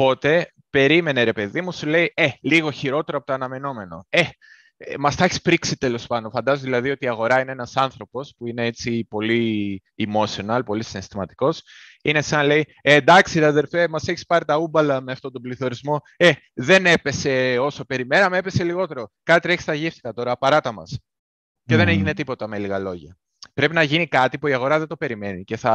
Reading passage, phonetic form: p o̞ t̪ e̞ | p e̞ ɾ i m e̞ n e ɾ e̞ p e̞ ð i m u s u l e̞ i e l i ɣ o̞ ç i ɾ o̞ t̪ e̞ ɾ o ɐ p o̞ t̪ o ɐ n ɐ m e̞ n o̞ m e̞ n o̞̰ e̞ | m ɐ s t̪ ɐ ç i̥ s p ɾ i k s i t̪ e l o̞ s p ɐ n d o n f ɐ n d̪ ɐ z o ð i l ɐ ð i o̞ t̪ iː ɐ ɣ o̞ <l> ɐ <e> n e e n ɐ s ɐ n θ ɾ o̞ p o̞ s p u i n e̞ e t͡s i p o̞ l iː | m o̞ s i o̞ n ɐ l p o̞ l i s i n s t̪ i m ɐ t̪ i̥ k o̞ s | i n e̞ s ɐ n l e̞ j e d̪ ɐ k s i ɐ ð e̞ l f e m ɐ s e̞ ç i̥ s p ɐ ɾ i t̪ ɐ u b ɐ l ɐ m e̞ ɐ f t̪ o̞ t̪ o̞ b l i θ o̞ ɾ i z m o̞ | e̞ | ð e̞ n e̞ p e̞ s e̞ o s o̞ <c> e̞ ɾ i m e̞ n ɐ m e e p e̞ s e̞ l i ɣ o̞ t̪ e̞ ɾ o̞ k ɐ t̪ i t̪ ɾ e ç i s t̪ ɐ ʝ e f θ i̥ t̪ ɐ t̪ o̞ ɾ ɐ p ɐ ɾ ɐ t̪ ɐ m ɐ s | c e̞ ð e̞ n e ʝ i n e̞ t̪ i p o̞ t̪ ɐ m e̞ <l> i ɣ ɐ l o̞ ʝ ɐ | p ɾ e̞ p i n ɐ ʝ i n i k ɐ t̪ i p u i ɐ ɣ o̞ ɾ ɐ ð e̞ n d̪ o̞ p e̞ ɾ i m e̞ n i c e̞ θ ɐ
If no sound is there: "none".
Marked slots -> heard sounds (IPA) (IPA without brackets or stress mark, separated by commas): ɾ, i, p, l